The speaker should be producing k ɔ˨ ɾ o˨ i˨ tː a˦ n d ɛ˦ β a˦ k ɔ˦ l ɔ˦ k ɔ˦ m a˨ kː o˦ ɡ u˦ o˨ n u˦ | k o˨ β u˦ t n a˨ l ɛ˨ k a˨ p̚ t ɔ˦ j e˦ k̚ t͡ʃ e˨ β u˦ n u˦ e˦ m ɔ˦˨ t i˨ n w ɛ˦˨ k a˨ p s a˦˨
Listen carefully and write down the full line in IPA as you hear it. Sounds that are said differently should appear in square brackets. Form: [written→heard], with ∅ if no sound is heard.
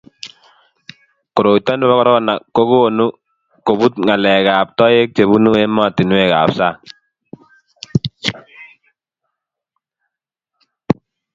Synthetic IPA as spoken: k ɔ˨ ɾ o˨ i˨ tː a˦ n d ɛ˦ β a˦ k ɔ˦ [l→ɾ] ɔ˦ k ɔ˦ [m→n] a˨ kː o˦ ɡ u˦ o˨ n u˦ | k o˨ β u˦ t [n→ŋ] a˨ l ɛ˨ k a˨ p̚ t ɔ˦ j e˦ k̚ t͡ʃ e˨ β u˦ n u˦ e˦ m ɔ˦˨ t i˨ n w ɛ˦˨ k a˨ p s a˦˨